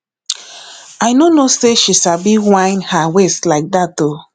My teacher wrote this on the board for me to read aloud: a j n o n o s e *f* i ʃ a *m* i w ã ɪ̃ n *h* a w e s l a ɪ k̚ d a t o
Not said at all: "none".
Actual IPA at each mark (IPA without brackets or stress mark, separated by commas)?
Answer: ʃ, b, h